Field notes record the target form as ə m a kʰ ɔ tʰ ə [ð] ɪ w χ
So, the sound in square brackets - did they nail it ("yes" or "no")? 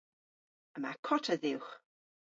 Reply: yes